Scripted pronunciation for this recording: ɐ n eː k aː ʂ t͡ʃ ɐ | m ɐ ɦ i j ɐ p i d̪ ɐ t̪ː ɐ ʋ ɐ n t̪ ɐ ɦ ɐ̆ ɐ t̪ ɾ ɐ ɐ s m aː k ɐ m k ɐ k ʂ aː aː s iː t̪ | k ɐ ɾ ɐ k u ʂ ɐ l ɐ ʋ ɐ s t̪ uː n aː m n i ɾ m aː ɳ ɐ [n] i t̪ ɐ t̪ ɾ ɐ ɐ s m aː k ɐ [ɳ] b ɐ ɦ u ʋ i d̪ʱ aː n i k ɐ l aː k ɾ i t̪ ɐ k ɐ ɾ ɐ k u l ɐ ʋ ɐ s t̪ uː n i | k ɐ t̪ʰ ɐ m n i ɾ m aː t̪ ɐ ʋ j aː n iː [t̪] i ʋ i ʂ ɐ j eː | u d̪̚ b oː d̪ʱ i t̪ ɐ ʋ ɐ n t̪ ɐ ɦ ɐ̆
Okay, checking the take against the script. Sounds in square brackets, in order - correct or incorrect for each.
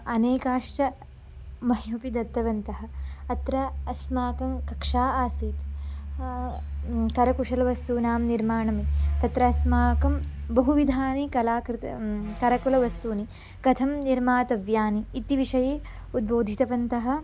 incorrect: m, incorrect: m, correct

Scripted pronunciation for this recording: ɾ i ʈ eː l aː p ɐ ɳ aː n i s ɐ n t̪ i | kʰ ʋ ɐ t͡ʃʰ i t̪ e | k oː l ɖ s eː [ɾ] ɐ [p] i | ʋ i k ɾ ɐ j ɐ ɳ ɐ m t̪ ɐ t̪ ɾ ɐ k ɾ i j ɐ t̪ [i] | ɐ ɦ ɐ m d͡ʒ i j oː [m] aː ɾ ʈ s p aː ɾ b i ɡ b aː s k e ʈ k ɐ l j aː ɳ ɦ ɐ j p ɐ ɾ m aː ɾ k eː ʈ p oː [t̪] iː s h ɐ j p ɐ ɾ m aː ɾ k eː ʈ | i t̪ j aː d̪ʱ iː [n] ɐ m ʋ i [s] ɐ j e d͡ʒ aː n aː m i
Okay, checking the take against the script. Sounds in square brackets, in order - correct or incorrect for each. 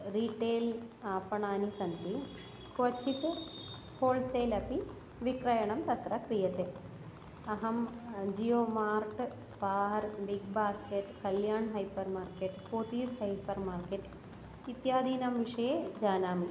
incorrect: l, correct, incorrect: e, correct, correct, correct, incorrect: ʂ

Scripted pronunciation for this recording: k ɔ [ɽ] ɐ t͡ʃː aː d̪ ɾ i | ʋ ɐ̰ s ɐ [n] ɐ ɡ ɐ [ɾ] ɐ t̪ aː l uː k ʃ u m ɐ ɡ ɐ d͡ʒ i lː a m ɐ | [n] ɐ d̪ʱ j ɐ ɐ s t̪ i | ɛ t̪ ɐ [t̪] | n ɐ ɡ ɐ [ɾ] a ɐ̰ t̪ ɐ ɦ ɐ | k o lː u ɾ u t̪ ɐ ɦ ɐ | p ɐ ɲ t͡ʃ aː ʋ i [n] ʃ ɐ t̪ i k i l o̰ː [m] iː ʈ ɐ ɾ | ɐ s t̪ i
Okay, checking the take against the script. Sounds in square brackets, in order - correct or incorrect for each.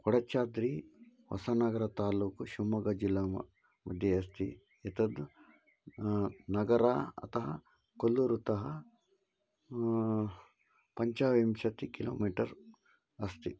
correct, correct, correct, incorrect: m, incorrect: d̪, correct, incorrect: m, correct

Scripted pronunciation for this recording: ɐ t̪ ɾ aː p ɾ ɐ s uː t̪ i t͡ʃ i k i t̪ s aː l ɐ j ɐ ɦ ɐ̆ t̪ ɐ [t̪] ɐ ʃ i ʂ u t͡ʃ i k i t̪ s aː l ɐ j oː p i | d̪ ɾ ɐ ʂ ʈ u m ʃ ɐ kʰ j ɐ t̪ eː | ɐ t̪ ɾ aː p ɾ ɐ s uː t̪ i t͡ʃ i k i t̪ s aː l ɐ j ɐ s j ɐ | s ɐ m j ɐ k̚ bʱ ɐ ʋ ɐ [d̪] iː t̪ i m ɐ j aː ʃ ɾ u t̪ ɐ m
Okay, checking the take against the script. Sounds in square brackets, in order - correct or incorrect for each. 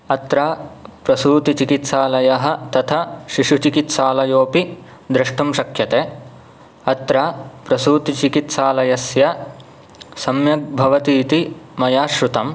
incorrect: t̪ʰ, incorrect: t̪

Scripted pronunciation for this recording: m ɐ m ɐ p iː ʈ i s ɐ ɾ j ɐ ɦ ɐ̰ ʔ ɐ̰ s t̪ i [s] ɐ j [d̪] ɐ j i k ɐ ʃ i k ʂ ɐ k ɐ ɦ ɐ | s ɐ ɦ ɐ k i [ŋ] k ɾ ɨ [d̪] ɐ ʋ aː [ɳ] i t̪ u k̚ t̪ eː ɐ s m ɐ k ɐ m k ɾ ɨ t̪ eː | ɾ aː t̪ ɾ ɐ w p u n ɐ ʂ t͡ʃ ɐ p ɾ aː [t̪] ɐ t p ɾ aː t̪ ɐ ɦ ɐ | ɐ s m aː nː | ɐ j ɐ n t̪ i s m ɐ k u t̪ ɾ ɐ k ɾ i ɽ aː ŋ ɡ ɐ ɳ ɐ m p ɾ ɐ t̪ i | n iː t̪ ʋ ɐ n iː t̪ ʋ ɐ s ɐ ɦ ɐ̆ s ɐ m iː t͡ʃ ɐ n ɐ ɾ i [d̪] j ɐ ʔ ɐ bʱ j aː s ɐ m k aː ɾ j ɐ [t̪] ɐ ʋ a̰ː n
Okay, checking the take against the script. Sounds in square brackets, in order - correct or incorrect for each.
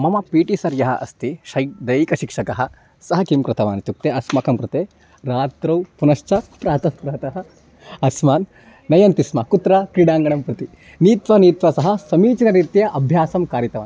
incorrect: ʃ, correct, incorrect: m, incorrect: t̪, incorrect: n, correct, incorrect: t̪, correct

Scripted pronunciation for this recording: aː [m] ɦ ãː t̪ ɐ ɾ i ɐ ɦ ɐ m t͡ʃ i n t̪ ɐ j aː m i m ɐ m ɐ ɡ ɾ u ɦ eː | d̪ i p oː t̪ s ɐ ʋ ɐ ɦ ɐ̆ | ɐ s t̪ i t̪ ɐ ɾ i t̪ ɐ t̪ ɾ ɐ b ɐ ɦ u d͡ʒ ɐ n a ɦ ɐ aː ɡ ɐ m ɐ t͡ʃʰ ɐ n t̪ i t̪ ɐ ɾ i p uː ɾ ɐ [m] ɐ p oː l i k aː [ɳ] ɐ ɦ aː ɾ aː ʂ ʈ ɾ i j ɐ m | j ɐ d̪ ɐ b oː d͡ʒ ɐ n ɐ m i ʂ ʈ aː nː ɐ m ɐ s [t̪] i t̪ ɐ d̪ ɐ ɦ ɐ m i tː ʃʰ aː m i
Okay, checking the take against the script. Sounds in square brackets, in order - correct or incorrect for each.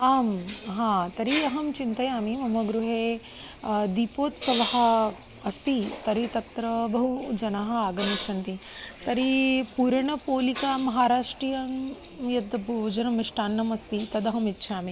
correct, incorrect: ɳ, incorrect: m, correct

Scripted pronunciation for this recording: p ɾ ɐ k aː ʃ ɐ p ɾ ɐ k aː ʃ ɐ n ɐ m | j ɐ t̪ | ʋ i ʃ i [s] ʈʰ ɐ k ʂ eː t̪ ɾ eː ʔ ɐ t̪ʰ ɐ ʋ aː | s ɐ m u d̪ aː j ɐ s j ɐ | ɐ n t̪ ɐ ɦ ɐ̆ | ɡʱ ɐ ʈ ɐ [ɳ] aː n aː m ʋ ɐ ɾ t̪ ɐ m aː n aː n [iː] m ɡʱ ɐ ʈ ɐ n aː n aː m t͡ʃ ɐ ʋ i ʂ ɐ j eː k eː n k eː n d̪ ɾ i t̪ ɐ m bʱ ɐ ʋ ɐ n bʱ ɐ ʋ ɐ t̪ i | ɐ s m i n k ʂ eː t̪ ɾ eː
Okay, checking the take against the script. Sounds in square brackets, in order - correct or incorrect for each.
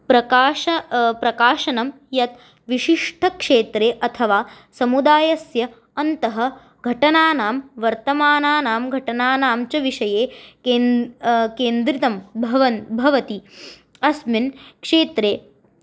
incorrect: ʂ, incorrect: n, incorrect: aː

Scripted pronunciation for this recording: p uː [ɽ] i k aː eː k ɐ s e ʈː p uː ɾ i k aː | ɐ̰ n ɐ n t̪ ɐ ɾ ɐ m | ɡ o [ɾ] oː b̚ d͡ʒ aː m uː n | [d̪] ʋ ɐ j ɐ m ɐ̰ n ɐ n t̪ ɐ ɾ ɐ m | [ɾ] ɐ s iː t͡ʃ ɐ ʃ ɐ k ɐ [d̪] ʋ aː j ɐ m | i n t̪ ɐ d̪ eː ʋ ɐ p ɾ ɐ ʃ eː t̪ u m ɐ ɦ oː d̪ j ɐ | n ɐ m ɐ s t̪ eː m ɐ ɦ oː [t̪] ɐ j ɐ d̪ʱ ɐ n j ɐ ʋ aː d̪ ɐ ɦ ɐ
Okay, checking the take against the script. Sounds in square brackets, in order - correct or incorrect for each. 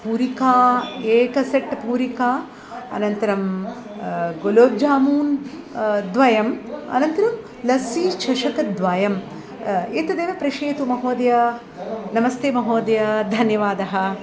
incorrect: ɾ, incorrect: l, correct, incorrect: l, correct, incorrect: d̪

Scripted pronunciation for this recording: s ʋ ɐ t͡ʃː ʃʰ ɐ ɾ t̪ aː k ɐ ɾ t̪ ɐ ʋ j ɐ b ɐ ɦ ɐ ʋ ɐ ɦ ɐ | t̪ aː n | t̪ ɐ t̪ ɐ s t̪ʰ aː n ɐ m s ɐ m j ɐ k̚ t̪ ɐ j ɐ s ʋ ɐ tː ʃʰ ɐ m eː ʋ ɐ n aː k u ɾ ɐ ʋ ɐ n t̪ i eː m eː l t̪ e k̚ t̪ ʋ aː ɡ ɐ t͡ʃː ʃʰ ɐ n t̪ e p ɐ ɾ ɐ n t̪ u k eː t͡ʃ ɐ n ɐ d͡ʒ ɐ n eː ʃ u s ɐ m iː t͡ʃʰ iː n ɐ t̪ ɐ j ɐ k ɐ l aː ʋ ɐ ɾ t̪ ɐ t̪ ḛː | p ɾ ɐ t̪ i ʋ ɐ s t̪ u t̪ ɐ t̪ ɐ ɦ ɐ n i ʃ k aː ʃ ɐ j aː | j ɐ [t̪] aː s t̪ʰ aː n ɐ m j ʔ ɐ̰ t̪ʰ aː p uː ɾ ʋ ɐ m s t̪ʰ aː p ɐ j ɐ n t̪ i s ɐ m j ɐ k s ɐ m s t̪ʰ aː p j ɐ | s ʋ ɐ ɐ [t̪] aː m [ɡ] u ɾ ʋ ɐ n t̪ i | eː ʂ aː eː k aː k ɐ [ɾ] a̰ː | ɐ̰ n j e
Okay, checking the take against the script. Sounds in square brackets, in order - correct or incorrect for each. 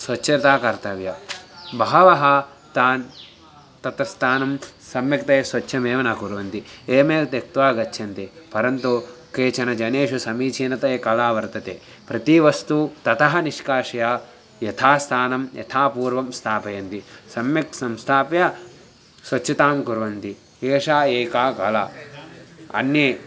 incorrect: t̪ʰ, correct, incorrect: k, incorrect: l

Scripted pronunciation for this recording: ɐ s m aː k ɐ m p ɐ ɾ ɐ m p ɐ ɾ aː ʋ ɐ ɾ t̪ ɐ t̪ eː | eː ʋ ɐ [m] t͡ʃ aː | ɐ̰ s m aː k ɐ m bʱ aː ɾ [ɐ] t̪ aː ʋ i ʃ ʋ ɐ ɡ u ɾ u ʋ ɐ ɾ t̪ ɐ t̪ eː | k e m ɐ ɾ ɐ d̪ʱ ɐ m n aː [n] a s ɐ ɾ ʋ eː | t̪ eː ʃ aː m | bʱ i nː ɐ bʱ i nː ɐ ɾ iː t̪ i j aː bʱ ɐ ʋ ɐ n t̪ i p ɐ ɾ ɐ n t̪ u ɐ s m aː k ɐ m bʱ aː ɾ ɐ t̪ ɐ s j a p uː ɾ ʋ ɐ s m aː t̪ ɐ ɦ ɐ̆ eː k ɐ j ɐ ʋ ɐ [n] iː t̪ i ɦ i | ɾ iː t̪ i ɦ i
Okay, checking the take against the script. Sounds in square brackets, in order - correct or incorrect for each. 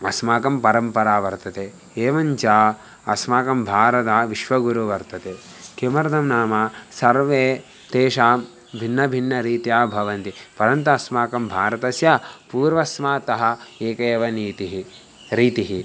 incorrect: ɲ, correct, incorrect: m, correct

